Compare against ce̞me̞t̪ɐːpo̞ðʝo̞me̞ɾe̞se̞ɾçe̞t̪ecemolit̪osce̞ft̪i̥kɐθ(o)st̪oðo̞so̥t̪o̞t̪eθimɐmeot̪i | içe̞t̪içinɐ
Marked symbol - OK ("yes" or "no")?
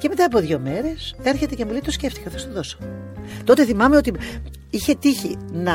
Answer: yes